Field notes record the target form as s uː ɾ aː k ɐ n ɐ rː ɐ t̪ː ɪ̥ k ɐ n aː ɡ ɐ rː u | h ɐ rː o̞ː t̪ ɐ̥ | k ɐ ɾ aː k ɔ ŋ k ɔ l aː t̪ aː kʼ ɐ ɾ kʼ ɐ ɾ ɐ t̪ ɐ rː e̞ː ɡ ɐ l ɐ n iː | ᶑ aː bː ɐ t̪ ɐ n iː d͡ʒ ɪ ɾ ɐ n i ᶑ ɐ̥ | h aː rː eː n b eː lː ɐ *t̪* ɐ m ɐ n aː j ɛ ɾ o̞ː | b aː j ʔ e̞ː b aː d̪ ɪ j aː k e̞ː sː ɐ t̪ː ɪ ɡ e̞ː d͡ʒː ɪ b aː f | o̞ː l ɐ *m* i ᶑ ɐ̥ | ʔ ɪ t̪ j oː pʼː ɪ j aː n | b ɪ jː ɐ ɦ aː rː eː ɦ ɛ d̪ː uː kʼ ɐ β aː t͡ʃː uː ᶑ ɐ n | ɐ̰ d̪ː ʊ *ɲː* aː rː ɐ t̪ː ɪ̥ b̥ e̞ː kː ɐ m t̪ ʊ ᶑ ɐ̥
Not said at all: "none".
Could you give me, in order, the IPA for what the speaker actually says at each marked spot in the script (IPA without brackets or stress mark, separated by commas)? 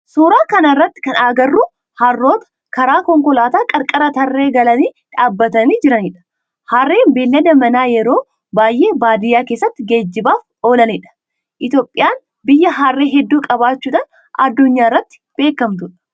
d̪, n, ɲː